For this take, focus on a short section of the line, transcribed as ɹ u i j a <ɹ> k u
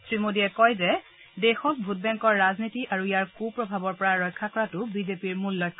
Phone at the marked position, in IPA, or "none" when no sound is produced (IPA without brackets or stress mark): ɹ